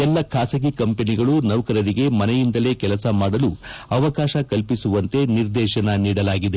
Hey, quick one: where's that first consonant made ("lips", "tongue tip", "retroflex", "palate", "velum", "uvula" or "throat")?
tongue tip